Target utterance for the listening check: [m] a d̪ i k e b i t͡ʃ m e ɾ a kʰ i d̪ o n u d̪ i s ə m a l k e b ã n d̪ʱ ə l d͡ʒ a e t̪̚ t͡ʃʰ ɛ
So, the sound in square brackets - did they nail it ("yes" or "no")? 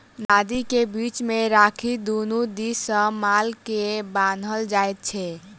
no